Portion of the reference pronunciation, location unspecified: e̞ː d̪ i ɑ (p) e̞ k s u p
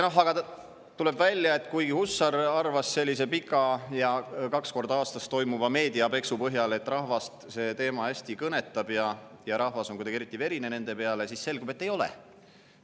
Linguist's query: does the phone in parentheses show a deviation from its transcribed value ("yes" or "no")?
no